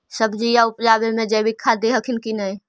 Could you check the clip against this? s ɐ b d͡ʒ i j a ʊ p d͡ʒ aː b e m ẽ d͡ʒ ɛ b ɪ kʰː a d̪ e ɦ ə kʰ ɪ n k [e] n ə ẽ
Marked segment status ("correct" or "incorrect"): incorrect